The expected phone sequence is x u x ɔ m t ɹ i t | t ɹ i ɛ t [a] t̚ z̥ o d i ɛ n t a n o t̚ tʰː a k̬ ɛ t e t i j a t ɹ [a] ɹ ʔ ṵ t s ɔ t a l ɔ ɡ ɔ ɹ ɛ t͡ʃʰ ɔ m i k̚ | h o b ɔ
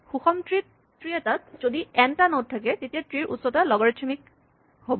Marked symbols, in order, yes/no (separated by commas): yes, no